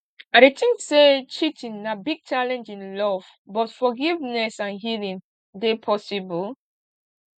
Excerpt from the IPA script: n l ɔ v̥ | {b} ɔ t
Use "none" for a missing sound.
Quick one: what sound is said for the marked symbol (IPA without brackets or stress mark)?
b